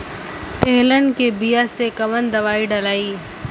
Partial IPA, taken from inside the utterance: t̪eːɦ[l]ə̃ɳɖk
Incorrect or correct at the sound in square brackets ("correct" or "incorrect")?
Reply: correct